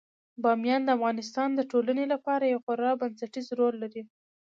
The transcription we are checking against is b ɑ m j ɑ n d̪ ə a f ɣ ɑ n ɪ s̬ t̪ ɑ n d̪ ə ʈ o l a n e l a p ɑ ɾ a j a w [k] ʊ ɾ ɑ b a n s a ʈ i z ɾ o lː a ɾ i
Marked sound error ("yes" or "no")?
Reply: yes